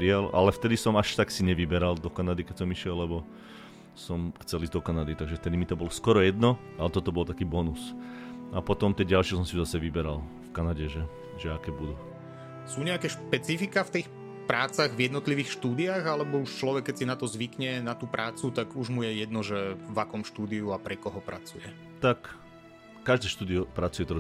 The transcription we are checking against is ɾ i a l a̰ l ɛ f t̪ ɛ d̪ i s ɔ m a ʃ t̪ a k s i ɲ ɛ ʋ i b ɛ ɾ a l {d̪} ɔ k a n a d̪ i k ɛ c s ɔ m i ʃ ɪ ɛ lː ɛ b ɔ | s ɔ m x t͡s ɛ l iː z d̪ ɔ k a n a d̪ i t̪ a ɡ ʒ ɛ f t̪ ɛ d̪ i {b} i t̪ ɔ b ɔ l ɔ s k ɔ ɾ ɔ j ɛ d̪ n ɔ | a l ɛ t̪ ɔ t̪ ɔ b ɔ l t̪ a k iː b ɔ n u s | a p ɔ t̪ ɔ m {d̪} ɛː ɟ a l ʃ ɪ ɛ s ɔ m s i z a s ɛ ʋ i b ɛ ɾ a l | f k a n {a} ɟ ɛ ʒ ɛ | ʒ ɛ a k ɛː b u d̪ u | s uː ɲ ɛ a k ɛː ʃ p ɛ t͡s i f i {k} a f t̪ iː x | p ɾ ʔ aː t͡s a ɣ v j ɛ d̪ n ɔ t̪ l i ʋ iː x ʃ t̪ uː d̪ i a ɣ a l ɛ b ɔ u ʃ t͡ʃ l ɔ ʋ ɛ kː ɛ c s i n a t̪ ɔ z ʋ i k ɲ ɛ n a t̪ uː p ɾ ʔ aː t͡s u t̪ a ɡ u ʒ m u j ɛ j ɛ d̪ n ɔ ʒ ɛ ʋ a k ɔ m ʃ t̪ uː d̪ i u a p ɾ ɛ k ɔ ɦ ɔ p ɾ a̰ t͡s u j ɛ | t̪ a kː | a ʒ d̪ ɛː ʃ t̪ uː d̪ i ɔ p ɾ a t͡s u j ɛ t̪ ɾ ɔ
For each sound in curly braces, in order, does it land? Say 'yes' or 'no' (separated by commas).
yes, no, no, yes, yes